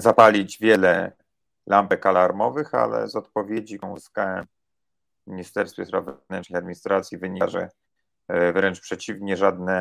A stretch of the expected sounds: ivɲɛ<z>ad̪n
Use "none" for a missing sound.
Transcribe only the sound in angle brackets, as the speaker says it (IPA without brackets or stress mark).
ʐ